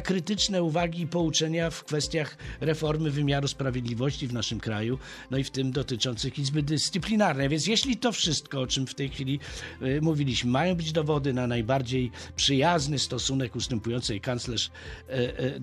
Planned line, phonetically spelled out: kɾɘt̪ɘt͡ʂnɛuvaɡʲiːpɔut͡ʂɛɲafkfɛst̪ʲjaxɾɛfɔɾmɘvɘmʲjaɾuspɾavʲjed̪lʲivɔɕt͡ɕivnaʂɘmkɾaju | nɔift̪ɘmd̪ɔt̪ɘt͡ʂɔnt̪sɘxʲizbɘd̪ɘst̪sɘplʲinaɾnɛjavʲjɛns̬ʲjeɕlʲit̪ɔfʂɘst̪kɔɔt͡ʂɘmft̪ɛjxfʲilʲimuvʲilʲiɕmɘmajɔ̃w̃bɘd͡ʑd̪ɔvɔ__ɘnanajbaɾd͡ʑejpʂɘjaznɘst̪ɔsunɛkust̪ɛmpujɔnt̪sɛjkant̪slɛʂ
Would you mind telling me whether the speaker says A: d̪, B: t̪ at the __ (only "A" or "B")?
A